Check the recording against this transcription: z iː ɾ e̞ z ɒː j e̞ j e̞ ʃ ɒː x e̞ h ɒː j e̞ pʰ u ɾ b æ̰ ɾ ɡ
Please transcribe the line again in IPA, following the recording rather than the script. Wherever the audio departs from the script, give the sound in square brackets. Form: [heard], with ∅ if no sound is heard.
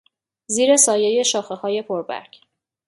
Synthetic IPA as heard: z iː ɾ e̞ [s] ɒː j e̞ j e̞ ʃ ɒː x e̞ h ɒː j e̞ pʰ [o] ɾ b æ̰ ɾ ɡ